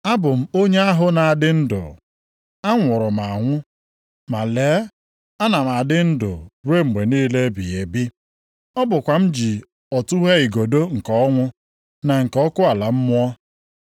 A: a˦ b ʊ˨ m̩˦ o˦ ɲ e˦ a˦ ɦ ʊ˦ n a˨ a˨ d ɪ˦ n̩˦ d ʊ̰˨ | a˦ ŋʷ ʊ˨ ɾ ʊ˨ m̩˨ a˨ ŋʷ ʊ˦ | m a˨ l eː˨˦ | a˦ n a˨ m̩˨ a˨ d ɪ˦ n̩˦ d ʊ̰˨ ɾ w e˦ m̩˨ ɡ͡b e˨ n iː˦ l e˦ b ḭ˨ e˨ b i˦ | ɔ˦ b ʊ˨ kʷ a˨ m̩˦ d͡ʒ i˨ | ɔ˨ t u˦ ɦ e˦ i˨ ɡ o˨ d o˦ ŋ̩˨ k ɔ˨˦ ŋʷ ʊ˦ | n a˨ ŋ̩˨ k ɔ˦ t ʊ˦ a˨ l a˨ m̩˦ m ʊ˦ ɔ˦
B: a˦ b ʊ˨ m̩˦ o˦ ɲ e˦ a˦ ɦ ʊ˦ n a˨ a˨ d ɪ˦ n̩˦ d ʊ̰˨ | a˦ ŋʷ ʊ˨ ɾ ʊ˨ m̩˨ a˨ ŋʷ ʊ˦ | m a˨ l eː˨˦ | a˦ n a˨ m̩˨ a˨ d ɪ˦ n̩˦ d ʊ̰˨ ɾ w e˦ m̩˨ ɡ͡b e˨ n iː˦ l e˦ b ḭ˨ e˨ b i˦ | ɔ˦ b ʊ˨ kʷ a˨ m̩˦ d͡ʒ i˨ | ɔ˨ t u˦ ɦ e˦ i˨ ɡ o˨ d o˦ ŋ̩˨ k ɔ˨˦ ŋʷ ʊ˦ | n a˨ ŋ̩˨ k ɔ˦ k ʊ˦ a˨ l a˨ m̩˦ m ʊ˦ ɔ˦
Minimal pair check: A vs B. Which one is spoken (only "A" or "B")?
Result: B